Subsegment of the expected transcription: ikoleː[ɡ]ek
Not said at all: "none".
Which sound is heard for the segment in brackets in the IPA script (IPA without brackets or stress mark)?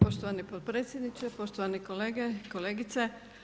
ɡ